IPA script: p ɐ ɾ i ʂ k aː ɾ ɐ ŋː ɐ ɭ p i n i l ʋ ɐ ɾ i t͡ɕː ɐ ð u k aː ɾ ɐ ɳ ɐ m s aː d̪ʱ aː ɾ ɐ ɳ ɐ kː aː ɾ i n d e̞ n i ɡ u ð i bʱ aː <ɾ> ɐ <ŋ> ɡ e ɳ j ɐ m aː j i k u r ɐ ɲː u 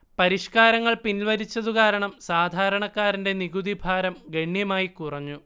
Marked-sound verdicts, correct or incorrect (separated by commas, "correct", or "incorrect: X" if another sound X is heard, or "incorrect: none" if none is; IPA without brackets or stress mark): correct, incorrect: m